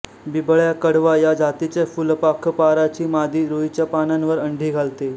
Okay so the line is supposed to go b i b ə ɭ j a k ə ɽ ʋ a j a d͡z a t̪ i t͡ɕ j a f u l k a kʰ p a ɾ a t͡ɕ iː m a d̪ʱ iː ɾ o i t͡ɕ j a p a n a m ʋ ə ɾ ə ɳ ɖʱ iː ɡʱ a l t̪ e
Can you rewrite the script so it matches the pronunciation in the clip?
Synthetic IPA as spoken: b i b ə ɭ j a k ə ɽ ʋ a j a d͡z a t̪ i t͡ɕ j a f u l p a kʰ p a ɾ a t͡ɕ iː m a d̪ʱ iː ɾ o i t͡ɕ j a p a n a n ʋ ə ɾ ə ɳ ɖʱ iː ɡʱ a l t̪ e